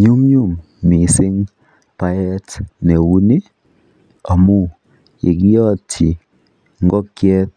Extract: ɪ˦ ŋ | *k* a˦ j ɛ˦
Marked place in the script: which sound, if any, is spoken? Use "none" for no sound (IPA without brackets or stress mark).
p